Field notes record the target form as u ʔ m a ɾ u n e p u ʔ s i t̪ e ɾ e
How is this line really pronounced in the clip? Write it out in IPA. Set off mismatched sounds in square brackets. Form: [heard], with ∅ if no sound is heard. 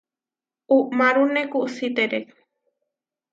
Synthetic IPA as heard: u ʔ m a ɾ u n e [k] u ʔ s i t̪ e ɾ e